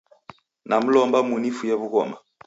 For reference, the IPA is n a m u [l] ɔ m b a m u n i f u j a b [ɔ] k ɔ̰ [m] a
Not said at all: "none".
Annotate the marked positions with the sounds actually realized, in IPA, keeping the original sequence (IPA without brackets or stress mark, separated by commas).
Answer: l, u, m